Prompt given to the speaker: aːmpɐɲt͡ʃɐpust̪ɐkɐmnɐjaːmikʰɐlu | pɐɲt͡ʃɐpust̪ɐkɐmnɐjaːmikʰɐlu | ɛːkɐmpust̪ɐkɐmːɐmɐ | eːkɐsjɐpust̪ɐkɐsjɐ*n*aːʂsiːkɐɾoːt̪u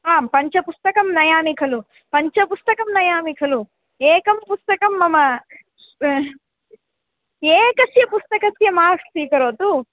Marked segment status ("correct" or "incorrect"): incorrect